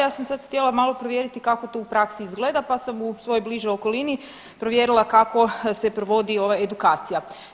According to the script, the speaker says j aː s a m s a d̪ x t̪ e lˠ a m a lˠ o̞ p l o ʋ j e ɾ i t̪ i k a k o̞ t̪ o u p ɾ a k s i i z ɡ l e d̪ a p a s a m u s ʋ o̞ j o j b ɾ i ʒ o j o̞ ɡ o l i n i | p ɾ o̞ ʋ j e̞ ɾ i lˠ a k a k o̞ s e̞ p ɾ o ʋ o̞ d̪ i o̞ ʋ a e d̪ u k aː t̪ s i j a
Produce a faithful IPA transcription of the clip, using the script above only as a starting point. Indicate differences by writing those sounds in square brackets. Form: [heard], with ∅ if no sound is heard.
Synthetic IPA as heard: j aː s a m s a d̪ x t̪ e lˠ a m a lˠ o̞ p [ɾ] o ʋ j e ɾ i t̪ i k a k o̞ t̪ o u p ɾ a k s i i z ɡ l e d̪ a p a s a m u s ʋ o̞ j o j b [l] i ʒ o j o̞ [k] o l i n i | p ɾ o̞ ʋ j e̞ ɾ i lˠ a k a k o̞ s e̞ p ɾ o ʋ o̞ d̪ i o̞ ʋ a e d̪ u k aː t̪ s i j a